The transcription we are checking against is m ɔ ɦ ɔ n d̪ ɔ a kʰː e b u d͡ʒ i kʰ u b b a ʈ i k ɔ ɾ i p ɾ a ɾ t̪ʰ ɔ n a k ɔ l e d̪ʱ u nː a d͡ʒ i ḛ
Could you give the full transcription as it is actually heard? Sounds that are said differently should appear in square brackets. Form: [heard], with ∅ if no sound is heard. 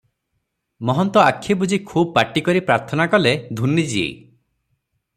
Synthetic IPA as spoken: m ɔ ɦ ɔ n [t̪] ɔ a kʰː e b u d͡ʒ i kʰ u b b a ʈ i k ɔ ɾ i p ɾ a ɾ t̪ʰ ɔ n a k ɔ l e d̪ʱ u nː [i] d͡ʒ i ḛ